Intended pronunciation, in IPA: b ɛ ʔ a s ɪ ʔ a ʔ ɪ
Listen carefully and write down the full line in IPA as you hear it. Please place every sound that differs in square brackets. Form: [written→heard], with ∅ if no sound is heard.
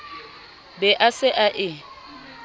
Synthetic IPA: b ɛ ʔ a s ɪ ʔ a ʔ ɪ